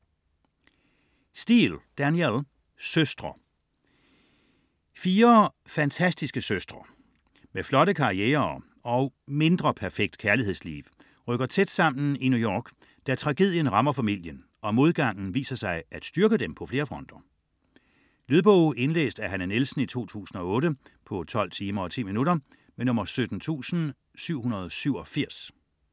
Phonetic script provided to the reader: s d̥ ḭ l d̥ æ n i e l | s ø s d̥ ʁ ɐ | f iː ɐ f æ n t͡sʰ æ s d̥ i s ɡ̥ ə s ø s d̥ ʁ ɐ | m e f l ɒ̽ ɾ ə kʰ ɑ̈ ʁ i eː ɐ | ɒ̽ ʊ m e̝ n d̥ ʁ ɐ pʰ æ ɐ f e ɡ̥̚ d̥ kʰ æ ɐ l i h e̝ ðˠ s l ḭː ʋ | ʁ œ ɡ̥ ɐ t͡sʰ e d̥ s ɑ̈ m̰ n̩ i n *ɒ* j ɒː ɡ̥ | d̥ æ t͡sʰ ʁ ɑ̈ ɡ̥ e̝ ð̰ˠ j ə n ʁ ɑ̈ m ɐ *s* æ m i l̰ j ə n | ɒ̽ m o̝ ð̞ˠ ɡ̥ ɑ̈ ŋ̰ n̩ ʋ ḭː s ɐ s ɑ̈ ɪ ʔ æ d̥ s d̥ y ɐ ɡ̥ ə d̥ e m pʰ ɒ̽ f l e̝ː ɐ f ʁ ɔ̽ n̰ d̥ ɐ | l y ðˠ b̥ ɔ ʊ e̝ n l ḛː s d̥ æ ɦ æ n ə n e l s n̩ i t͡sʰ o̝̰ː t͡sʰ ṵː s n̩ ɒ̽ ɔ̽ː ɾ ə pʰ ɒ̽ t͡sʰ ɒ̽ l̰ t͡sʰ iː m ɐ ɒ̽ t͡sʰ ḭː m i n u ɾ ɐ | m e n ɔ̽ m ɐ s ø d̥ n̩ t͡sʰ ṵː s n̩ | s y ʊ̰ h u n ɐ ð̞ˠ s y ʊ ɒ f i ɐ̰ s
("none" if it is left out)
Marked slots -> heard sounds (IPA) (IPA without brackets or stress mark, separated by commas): u, f